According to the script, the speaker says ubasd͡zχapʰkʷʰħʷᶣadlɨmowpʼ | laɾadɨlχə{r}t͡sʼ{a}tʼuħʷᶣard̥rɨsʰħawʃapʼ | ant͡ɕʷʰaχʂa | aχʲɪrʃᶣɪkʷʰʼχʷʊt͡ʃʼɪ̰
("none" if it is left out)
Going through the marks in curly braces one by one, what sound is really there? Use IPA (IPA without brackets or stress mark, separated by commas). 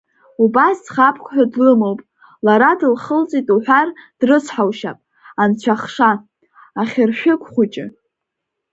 l, i